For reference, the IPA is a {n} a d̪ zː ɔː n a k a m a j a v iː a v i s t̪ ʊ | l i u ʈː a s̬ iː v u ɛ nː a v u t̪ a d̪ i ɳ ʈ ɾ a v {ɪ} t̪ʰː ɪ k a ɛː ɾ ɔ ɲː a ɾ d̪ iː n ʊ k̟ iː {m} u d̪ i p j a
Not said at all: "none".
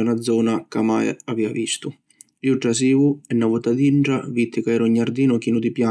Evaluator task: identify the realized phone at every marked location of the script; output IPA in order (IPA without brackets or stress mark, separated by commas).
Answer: n, i, n